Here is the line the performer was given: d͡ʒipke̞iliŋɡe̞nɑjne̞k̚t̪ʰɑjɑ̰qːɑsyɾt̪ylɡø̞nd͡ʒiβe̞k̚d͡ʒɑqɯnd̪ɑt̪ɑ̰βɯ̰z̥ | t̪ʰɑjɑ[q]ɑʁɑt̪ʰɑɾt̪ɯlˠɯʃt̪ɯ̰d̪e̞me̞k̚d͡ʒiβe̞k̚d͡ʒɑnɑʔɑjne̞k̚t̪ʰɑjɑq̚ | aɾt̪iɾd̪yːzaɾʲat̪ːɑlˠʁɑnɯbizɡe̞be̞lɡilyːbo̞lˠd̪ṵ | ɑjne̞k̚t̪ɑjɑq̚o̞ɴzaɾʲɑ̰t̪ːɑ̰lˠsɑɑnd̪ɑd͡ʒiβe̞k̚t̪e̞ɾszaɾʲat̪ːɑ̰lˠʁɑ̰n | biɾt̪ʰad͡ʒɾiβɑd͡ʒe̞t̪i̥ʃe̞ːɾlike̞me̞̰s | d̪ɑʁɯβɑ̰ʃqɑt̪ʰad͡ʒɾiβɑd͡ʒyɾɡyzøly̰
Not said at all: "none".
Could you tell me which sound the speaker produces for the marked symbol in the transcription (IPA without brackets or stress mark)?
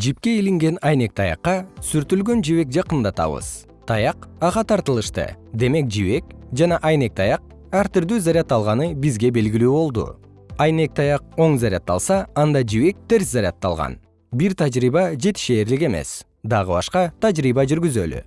q